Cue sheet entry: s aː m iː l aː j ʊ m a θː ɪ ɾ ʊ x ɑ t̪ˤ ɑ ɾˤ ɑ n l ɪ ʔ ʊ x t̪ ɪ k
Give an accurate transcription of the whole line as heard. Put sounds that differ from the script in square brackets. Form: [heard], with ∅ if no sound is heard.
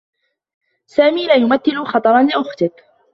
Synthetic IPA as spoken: s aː m iː l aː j ʊ m a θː ɪ [l] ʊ x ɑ t̪ˤ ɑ ɾˤ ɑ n l ɪ ʔ ʊ x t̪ ɪ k